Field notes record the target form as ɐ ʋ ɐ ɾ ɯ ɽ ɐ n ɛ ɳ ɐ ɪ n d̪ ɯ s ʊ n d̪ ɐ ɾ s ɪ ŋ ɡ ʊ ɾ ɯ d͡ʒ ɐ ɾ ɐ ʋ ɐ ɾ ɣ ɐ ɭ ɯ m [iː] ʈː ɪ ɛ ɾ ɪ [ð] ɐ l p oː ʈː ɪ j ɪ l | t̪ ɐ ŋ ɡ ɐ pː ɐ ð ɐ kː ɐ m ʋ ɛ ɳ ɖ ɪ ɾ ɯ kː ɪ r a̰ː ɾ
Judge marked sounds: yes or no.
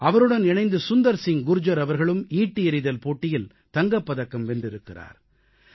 yes, yes

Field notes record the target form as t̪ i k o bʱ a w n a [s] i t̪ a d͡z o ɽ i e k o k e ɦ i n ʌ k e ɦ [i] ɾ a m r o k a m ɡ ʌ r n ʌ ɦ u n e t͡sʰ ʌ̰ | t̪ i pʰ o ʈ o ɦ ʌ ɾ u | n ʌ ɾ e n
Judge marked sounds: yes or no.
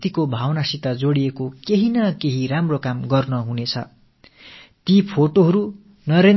yes, yes

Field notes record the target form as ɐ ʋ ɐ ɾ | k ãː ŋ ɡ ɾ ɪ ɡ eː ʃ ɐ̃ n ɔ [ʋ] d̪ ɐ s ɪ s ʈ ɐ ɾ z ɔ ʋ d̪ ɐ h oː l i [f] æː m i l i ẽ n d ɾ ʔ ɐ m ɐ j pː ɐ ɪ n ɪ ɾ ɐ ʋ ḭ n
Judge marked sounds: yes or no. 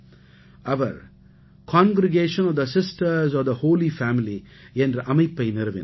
yes, yes

